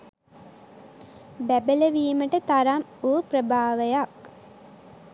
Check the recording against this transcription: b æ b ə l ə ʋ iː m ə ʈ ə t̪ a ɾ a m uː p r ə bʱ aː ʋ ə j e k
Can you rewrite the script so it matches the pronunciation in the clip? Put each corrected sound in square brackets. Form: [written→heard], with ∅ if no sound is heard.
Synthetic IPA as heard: b æ b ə l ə ʋ iː m ə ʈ ə t̪ a ɾ a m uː p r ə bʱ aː ʋ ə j [e→a] k